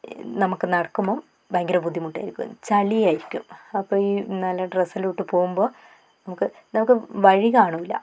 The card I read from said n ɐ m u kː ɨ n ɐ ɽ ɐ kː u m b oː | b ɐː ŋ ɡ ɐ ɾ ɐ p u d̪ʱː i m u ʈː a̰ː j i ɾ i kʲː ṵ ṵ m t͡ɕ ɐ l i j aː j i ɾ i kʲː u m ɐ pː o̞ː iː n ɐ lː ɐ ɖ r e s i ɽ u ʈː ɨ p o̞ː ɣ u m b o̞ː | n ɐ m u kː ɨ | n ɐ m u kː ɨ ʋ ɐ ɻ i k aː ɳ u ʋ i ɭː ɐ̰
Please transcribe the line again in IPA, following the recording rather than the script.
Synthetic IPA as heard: n ɐ m u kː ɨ n ɐ ɽ ɐ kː u m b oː | b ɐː ŋ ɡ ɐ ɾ ɐ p u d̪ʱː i m u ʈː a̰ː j i ɾ i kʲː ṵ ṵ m t͡ɕ ɐ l i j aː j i ɾ i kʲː u m ɐ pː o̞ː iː n ɐ lː ɐ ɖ r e s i l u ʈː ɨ p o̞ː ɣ u m b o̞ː | n ɐ m u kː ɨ | n ɐ m u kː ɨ ʋ ɐ ɻ i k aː ɳ u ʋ i lː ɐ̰